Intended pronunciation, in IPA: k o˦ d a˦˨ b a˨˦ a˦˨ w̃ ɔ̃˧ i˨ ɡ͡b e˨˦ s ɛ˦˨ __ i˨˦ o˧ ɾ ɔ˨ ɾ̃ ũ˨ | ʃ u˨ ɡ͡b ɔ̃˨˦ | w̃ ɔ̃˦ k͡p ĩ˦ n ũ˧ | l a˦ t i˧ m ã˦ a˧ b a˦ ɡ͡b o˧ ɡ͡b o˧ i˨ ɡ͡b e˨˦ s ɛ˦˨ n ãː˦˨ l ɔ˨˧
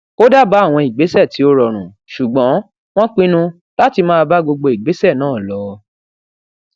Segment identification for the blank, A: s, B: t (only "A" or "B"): B